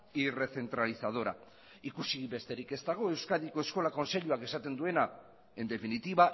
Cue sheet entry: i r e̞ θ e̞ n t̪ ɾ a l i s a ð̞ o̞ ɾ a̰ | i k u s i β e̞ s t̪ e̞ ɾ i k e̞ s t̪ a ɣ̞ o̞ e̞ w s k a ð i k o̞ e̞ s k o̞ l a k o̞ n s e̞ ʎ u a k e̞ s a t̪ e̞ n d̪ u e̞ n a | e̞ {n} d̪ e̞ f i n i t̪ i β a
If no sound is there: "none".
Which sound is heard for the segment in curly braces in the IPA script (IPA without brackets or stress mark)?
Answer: n